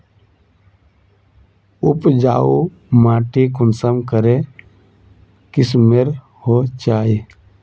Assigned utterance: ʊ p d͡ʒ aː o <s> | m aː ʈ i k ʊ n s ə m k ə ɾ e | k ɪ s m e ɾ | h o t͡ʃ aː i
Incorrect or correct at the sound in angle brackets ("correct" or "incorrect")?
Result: incorrect